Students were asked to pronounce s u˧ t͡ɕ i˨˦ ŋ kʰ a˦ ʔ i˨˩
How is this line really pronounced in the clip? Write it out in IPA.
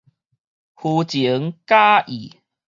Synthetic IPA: h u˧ t͡ɕ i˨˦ ŋ k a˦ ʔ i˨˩